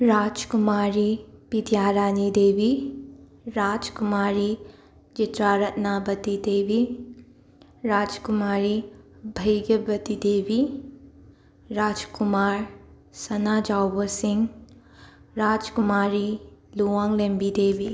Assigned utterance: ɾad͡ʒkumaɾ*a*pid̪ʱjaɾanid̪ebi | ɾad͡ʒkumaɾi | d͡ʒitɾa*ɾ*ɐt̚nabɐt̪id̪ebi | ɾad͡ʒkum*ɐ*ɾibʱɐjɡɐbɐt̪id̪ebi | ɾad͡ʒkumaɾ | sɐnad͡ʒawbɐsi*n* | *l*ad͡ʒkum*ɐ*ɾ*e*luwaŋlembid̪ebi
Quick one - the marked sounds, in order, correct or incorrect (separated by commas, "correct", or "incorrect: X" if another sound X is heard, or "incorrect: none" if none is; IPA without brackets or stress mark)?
incorrect: i, correct, incorrect: a, incorrect: ŋ, incorrect: ɾ, incorrect: a, incorrect: i